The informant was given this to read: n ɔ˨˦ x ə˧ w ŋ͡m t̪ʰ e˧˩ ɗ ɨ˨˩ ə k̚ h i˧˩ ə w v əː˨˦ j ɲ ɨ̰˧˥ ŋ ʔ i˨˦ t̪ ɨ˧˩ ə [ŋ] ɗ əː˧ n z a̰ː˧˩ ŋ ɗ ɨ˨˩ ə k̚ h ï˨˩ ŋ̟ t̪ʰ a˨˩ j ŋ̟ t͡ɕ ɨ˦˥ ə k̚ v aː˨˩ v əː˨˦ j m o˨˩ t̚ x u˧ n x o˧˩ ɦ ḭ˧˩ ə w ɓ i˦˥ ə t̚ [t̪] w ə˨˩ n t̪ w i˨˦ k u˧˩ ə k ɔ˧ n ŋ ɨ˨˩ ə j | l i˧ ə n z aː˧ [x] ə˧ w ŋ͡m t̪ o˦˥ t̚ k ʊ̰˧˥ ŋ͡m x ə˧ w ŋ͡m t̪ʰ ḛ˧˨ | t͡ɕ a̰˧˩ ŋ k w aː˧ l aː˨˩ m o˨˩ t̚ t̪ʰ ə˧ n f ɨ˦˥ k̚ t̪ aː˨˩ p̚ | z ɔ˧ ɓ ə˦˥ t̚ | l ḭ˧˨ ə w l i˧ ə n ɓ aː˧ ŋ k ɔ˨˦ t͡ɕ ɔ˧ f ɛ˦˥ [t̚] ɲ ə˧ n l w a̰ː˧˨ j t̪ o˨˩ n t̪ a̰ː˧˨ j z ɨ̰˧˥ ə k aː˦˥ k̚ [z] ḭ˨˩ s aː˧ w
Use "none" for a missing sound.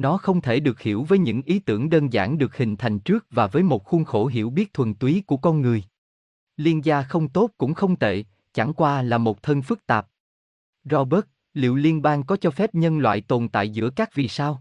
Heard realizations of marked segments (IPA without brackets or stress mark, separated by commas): ŋ, t̪ʰ, x, p̚, v